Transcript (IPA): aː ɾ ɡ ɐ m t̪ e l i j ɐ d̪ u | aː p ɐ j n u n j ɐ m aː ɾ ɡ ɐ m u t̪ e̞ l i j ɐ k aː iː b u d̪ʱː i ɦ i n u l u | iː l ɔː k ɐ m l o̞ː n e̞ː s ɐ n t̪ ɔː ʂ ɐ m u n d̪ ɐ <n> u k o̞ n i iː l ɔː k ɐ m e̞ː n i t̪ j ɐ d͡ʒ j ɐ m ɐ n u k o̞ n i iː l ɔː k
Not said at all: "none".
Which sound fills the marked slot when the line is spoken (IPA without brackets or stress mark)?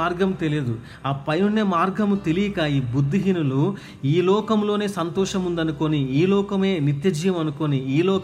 n